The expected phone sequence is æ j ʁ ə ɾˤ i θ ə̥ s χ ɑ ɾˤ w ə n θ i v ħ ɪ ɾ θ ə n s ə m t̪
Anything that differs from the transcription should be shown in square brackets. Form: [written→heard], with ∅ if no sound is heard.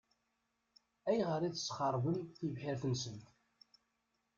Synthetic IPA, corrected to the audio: æ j ʁ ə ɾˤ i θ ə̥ s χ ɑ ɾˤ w ə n θ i v ħ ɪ ɾ θ ə n s ə [m→n] t̪